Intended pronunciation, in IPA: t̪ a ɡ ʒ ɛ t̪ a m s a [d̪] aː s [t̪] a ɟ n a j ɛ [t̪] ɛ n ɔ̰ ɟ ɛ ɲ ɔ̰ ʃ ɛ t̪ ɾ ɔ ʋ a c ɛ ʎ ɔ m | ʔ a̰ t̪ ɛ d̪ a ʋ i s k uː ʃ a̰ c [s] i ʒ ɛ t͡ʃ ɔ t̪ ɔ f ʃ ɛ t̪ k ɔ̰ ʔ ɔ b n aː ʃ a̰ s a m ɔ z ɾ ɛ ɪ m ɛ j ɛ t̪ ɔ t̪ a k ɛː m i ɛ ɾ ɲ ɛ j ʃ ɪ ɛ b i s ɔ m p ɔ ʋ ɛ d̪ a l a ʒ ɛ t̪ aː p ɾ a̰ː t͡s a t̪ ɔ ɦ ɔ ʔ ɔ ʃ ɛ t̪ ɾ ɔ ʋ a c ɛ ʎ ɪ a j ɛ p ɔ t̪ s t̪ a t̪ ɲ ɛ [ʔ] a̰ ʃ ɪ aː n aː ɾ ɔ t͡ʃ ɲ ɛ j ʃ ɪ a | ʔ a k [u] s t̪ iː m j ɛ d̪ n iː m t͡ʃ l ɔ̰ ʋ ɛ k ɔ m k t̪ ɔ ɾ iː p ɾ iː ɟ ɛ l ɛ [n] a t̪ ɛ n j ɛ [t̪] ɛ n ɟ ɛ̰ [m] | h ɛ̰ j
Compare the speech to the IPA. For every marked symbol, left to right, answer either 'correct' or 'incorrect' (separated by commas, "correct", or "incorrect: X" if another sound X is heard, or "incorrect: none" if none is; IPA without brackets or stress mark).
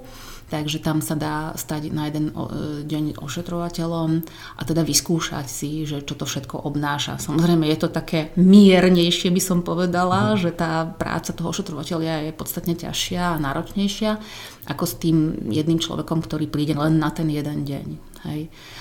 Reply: correct, correct, incorrect: d̪, correct, incorrect: c, incorrect: ɔ, incorrect: nː, incorrect: d̪, incorrect: ɲ